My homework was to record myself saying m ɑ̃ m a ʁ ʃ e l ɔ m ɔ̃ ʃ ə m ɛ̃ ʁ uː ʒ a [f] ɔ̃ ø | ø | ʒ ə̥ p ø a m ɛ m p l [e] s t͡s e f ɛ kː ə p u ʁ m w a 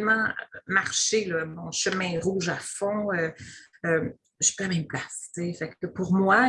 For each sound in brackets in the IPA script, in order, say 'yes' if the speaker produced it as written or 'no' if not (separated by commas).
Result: yes, no